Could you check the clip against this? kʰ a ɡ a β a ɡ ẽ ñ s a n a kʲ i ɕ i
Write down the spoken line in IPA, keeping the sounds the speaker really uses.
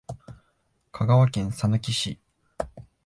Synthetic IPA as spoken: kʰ a ɡ a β a k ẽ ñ s a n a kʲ i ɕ i